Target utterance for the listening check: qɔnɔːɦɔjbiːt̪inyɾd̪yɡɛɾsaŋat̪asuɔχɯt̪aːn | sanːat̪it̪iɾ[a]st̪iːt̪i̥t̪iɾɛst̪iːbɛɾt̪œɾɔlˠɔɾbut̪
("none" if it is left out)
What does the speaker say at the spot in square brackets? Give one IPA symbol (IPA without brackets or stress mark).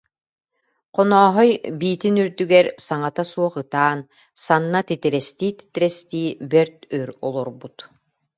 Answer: ɛ